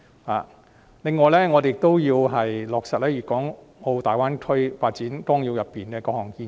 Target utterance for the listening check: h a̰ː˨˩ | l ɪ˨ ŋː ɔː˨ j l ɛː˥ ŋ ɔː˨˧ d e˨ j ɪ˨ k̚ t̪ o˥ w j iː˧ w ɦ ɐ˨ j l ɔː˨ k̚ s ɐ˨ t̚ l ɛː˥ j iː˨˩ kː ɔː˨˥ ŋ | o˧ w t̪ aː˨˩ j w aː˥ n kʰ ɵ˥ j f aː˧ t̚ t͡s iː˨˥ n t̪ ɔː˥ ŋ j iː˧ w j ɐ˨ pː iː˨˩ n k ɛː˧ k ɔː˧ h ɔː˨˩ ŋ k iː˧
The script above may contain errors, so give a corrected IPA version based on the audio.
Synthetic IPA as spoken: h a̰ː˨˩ | l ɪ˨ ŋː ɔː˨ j l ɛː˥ ŋ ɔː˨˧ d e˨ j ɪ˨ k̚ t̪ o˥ w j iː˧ w ɦ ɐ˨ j l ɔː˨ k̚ s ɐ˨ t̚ l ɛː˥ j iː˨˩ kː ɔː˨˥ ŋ | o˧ w t̪ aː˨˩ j w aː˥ n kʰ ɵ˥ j f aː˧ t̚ t͡s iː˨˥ n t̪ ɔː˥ ŋ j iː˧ w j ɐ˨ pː iː˨˩ n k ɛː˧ k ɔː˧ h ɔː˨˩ ŋ k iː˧